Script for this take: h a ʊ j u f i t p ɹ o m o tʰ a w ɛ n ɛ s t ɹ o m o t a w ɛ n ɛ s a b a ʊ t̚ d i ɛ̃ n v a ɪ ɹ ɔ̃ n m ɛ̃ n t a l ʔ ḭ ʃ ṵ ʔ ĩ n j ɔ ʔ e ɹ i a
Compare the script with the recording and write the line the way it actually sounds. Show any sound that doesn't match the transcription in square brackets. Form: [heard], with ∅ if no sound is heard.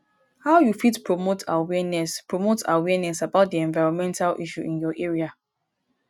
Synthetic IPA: h a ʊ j u f i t p ɹ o m o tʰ a w ɛ n ɛ s [p] ɹ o m o t a w ɛ n ɛ s a b a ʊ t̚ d i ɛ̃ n v a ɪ ɹ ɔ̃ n m ɛ̃ n t a l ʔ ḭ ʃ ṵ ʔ ĩ n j ɔ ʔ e ɹ i a